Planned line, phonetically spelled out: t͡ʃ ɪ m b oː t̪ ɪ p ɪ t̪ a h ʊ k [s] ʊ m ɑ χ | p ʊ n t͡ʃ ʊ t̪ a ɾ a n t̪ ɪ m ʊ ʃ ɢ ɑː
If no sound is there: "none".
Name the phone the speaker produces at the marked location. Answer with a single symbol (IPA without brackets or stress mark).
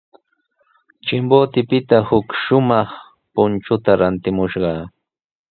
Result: ʃ